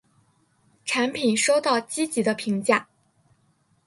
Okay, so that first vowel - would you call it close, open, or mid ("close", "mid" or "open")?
open